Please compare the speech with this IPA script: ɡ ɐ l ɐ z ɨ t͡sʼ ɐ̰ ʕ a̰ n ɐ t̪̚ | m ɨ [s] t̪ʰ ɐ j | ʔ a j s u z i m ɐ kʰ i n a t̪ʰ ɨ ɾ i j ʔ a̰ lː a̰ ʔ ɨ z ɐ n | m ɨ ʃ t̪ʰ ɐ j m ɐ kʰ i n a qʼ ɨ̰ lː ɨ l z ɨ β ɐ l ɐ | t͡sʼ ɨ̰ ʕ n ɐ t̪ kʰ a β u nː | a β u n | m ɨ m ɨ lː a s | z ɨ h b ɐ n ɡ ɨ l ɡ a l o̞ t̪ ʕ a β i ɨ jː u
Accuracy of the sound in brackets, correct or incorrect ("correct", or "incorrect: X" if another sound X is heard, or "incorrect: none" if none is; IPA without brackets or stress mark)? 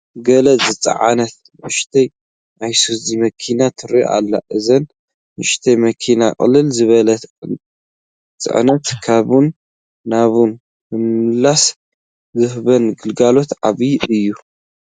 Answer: incorrect: ʃ